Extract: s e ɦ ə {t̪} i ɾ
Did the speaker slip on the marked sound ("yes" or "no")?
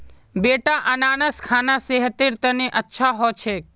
no